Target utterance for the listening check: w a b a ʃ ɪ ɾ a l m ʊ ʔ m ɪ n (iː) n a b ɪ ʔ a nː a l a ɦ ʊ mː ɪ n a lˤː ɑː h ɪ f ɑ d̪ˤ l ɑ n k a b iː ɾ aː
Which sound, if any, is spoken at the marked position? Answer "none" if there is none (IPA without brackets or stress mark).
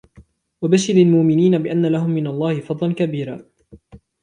iː